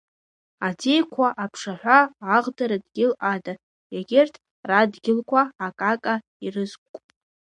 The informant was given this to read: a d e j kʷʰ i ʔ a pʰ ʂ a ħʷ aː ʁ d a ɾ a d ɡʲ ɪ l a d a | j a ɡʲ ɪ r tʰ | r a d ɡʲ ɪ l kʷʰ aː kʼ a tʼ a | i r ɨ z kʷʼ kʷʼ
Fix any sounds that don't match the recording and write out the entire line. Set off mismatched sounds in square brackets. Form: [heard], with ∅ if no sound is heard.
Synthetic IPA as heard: a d e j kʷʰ [a] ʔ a pʰ ʂ a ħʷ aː ʁ d a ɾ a d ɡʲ ɪ l a d a | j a ɡʲ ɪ r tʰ | r a d ɡʲ ɪ l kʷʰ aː kʼ a [kʼ] a | i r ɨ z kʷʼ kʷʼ